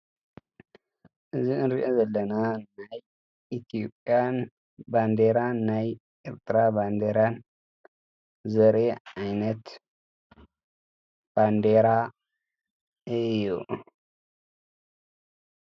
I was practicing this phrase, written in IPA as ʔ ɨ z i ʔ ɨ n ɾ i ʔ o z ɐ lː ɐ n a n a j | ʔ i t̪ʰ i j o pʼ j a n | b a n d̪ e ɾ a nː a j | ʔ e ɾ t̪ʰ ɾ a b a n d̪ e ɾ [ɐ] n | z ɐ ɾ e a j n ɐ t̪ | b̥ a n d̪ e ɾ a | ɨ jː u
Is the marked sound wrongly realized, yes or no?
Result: yes